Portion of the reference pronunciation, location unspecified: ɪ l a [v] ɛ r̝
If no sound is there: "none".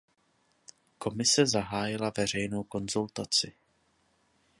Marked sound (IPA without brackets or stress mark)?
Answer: v